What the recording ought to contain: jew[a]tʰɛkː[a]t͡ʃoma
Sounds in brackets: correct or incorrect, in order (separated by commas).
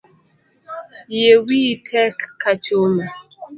incorrect, correct